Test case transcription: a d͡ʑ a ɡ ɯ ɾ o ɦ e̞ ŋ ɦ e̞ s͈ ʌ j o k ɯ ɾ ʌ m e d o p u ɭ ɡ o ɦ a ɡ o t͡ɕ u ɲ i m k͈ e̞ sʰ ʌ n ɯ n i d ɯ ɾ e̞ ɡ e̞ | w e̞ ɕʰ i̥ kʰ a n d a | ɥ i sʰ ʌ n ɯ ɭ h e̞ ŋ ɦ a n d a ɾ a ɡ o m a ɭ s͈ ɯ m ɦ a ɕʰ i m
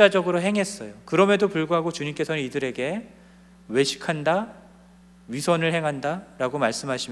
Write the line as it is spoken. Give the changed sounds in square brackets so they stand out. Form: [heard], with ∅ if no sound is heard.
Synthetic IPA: a d͡ʑ [ʌ] ɡ ɯ ɾ o ɦ e̞ ŋ ɦ e̞ s͈ ʌ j o k ɯ ɾ ʌ m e d o p u ɭ ɡ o ɦ a ɡ o t͡ɕ u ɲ i m k͈ e̞ sʰ ʌ n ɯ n i d ɯ ɾ e̞ ɡ e̞ | w e̞ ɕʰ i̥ kʰ a n d a | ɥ i sʰ ʌ n ɯ ɭ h e̞ ŋ ɦ a n d a ɾ a ɡ o m a ɭ s͈ ɯ m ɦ a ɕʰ i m